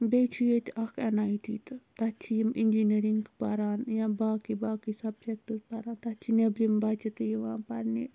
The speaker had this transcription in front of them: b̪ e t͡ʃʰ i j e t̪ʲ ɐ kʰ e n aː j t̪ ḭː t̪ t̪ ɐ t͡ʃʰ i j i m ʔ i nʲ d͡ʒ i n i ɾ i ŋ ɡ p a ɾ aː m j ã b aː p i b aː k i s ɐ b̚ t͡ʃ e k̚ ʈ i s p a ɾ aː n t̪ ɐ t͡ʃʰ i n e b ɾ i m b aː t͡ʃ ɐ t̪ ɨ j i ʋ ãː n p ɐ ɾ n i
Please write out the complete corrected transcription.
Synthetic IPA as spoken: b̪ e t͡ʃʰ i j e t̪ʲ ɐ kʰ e n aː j t̪ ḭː t̪ t̪ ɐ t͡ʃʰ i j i m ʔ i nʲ d͡ʒ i n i ɾ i ŋ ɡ p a ɾ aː n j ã b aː k i b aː k i s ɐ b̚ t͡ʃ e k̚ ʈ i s p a ɾ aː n t̪ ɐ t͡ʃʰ i n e b ɾ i m b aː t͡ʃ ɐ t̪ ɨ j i ʋ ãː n p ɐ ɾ n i